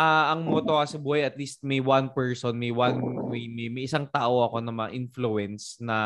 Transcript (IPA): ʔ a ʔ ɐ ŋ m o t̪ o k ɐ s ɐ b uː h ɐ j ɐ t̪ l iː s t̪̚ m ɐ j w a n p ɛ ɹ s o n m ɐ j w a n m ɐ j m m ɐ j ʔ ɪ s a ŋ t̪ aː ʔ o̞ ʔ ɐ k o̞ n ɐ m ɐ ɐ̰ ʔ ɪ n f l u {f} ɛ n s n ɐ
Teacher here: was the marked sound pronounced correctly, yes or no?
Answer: no